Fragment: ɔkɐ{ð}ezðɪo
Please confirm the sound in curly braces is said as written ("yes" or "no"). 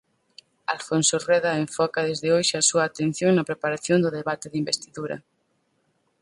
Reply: yes